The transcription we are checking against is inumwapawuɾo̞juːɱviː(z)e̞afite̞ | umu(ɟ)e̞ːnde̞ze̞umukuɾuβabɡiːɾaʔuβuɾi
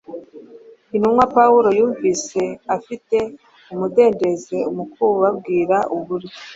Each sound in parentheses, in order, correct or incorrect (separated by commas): incorrect, incorrect